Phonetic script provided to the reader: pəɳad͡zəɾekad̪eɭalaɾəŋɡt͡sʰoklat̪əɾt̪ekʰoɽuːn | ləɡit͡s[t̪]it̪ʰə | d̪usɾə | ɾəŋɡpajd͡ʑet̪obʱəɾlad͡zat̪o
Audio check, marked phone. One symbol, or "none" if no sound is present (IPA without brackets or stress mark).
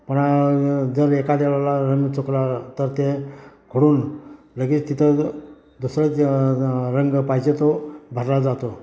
t̪